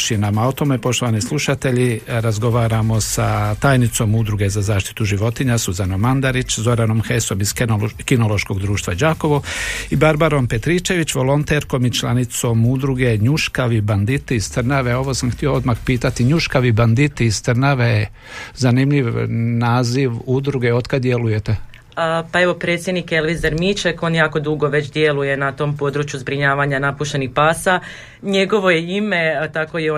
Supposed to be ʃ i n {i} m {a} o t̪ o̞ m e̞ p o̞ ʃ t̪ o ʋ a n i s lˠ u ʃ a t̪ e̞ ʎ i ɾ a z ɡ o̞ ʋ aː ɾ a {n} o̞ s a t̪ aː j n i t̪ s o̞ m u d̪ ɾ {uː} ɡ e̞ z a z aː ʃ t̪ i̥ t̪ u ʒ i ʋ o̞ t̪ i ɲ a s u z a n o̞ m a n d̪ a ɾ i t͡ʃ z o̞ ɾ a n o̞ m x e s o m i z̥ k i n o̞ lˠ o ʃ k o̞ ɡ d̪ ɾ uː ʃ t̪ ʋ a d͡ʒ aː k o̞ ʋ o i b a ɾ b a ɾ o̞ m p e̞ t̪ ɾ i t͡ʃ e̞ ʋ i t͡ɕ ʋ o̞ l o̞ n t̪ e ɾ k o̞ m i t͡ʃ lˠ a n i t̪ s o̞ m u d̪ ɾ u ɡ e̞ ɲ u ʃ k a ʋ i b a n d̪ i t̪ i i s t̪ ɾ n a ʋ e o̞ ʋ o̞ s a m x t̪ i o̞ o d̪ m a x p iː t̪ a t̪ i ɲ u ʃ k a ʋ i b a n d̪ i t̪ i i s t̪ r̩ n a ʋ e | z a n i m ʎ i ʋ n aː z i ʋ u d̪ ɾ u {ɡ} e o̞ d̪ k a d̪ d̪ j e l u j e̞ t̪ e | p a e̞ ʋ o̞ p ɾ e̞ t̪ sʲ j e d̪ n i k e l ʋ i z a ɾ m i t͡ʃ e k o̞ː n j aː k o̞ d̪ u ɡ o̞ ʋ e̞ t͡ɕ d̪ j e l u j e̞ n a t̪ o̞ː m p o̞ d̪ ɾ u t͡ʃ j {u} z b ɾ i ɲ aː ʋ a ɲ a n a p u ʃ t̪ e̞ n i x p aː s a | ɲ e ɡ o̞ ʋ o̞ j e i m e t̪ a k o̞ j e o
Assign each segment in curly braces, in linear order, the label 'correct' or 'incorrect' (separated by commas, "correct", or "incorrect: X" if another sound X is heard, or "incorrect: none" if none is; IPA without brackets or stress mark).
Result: incorrect: a, correct, incorrect: m, incorrect: u, correct, correct